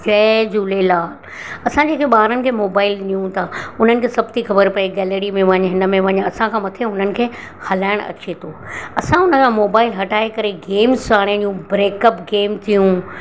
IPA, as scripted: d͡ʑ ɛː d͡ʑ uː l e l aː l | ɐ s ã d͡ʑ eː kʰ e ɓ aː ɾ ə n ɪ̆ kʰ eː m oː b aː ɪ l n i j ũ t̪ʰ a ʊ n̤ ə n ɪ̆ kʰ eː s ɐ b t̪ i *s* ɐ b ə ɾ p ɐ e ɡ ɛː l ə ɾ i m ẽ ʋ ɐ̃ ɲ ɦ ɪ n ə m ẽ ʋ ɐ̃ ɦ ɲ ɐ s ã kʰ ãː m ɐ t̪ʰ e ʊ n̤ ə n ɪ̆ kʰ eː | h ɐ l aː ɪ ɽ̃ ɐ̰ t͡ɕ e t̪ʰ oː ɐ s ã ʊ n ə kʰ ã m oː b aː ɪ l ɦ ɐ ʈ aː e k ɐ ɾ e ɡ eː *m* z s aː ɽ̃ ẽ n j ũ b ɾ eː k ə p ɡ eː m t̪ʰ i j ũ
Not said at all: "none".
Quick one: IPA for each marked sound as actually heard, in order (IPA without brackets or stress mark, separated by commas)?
x, m